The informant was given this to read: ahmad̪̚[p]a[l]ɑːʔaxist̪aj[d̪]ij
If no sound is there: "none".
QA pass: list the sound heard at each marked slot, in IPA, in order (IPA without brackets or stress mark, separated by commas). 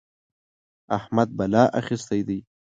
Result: b, l, d̪